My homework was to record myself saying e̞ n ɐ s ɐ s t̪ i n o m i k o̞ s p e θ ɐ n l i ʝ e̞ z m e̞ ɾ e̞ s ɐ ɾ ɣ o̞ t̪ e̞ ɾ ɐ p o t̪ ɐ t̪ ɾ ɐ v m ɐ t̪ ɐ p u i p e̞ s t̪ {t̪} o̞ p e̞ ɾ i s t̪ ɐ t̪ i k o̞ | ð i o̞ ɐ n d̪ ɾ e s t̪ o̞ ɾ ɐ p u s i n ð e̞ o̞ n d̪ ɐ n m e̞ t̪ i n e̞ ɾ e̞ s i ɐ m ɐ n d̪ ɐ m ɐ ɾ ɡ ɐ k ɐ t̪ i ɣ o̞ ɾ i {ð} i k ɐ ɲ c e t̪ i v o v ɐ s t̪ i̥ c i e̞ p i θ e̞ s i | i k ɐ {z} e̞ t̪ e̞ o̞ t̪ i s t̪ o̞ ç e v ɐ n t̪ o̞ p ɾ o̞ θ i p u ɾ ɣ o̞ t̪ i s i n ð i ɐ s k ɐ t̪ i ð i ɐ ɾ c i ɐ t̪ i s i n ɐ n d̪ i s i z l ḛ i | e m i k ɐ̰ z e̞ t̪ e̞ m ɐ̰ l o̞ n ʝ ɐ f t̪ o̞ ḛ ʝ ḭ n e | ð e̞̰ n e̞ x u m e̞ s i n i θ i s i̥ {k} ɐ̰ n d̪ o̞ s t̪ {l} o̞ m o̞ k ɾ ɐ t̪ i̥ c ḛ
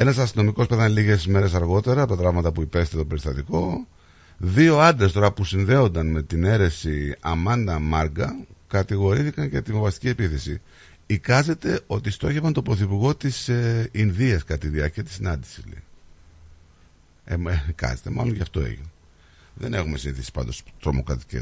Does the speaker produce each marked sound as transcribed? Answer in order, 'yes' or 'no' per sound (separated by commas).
yes, no, yes, no, no